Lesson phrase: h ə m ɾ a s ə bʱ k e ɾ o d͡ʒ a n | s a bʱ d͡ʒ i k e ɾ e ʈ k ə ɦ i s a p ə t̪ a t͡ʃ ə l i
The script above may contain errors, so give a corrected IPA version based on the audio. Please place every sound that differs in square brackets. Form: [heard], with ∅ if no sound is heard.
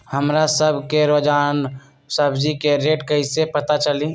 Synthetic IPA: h ə m ɾ a s ə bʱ k e ɾ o d͡ʒ a n | s [ə] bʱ d͡ʒ i k e ɾ e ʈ k ə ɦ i s [e] p ə t̪ a t͡ʃ ə l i